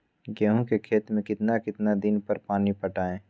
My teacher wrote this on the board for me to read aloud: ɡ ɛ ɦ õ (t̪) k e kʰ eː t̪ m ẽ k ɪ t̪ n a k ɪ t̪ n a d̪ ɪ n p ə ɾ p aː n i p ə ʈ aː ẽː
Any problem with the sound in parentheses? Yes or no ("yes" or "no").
yes